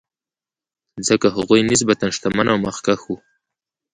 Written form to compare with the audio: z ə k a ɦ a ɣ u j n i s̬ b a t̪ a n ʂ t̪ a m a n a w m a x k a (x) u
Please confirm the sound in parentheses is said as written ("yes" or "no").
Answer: yes